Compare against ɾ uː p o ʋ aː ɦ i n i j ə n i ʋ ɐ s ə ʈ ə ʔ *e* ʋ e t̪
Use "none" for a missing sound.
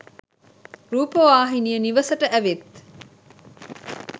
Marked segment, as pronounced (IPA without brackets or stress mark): æ